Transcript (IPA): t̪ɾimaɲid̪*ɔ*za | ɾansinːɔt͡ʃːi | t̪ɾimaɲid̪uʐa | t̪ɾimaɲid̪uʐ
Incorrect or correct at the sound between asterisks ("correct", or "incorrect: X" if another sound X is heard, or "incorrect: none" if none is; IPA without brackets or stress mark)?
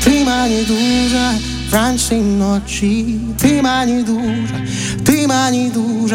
incorrect: u